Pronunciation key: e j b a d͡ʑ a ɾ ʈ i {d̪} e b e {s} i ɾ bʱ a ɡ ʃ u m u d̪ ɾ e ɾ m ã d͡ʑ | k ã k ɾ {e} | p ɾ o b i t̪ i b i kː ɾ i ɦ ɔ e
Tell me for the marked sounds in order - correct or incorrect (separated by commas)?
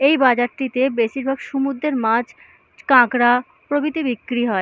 incorrect, incorrect, incorrect